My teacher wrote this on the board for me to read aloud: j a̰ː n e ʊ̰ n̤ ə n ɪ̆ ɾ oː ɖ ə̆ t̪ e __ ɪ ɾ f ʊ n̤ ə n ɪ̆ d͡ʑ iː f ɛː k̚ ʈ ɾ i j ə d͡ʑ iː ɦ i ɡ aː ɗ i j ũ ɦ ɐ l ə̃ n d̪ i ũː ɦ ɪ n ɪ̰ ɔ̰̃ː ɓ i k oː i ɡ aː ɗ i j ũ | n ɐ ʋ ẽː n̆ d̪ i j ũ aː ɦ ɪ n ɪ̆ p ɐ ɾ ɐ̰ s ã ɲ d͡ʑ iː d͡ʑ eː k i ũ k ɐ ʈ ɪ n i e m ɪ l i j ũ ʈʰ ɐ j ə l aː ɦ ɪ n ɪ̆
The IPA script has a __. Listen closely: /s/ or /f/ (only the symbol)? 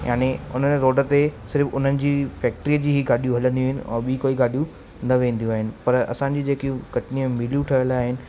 s